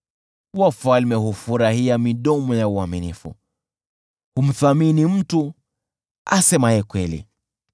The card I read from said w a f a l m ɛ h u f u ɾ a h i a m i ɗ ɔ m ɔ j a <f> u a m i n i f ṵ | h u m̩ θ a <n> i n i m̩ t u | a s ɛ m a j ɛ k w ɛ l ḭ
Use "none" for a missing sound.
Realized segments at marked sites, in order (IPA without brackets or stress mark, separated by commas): none, m